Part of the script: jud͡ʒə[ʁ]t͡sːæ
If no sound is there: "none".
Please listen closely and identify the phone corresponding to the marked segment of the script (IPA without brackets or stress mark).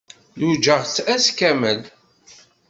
ʁ